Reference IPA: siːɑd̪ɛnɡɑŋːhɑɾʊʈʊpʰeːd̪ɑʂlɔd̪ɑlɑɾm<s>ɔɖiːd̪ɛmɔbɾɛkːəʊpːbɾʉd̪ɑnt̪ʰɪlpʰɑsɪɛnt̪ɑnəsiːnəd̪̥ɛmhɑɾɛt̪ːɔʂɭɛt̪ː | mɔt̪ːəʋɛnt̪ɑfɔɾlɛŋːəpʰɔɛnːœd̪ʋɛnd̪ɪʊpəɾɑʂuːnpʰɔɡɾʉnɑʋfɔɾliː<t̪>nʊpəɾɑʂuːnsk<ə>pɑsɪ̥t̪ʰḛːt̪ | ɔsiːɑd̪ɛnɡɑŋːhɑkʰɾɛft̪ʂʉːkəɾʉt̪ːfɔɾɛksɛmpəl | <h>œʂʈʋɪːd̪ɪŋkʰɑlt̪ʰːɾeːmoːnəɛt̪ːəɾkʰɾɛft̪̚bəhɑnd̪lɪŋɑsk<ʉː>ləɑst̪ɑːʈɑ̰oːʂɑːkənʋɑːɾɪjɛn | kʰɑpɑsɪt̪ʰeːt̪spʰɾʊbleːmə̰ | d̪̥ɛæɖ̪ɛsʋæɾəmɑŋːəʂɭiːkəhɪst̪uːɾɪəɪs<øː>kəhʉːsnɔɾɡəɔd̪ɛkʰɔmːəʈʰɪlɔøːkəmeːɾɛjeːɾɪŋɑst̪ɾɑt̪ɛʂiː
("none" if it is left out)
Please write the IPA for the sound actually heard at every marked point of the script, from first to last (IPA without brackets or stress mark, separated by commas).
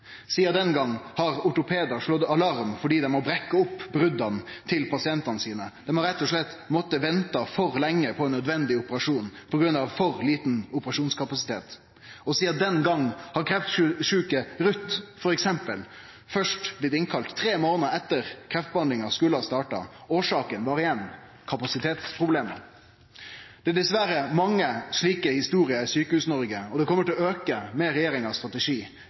f, t̪, ɑ, f, ʉ, yː